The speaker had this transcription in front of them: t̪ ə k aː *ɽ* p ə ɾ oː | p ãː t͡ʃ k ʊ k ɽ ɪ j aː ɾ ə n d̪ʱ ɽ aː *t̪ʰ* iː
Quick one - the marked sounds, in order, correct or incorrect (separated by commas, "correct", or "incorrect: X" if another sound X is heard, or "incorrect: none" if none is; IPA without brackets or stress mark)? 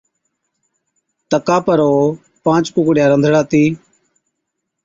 incorrect: none, incorrect: t̪